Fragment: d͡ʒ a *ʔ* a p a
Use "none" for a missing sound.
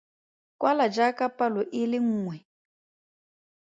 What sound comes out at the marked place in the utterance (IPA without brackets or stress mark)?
k